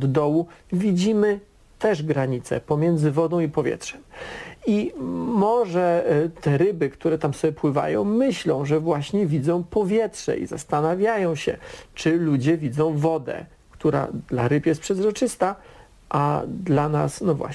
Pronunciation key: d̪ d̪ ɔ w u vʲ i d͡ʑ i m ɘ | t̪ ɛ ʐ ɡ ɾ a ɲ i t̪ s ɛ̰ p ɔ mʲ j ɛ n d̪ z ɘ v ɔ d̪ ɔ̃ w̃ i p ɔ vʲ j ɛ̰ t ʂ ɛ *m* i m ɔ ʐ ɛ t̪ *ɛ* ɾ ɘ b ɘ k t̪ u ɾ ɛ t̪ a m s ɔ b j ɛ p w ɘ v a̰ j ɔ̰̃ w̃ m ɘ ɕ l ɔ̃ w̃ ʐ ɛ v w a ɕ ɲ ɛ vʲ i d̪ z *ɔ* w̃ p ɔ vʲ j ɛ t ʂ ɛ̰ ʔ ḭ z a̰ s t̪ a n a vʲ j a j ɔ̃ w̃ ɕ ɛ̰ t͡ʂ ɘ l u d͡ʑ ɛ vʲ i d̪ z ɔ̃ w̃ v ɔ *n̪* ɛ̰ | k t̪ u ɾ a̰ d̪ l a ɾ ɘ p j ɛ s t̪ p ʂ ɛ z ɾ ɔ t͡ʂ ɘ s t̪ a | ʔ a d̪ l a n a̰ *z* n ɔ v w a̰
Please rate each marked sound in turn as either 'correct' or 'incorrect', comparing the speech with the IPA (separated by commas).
correct, correct, incorrect, incorrect, incorrect